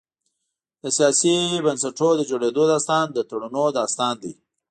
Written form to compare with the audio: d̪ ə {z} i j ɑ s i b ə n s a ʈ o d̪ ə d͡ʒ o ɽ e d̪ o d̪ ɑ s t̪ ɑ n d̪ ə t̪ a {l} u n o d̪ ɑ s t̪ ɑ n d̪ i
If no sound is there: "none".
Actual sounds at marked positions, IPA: s, ɽ

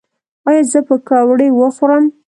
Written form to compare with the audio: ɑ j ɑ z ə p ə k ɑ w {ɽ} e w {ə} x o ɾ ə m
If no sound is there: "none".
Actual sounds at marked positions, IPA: ɽ, ə

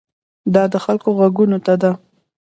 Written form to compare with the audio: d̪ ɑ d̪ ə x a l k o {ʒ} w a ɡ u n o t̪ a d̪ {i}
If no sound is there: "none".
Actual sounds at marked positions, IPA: ɣ, a

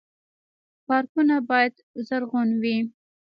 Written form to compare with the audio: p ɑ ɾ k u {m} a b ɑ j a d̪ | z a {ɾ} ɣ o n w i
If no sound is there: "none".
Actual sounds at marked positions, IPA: n, ɾ

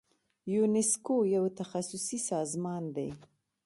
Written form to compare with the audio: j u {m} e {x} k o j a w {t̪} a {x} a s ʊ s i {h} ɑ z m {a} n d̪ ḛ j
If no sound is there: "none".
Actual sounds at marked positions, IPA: n, s, t̪, x, s, ɑ

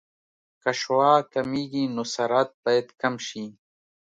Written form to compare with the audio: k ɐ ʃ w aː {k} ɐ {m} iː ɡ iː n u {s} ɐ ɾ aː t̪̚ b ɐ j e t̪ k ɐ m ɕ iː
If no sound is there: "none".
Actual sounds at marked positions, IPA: k, m, s

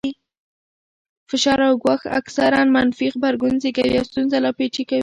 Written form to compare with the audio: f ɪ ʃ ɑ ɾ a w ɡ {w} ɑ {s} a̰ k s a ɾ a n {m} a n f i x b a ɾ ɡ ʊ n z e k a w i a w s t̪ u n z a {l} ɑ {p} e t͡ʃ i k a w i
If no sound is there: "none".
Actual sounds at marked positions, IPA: w, x, m, l, p

